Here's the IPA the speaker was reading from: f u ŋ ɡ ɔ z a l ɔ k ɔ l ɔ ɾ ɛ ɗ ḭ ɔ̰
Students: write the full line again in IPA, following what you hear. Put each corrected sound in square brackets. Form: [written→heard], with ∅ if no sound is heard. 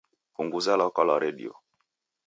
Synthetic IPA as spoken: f u ŋ ɡ [ɔ→u] z a l ɔ k ɔ l ɔ ɾ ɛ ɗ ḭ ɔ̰